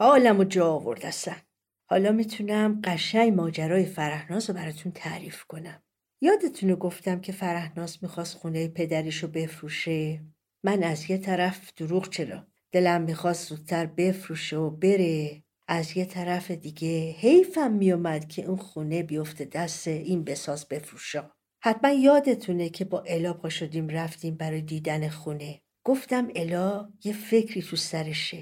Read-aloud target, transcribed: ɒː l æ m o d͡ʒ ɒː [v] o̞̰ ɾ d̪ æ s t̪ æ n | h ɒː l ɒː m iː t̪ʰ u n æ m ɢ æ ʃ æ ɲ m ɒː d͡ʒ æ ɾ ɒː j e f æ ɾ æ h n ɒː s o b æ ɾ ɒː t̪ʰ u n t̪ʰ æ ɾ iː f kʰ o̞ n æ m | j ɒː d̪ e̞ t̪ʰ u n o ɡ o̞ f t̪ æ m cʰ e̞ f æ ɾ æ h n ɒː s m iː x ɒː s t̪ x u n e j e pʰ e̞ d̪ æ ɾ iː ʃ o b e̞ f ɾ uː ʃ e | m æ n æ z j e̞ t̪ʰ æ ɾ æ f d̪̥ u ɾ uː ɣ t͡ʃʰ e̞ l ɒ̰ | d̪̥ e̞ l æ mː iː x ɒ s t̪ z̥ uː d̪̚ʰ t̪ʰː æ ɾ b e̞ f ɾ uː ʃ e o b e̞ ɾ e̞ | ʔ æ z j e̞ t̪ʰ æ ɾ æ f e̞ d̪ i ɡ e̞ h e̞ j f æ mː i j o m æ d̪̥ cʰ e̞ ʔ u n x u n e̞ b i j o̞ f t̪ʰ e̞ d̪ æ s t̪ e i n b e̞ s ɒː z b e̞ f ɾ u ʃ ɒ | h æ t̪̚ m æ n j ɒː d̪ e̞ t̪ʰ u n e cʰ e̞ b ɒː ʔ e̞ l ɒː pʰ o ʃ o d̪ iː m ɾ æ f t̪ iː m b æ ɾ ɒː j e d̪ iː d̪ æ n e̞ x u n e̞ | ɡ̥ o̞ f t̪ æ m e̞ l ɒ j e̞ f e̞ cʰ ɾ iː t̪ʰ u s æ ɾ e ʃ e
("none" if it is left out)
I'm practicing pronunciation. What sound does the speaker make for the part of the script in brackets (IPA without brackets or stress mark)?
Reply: v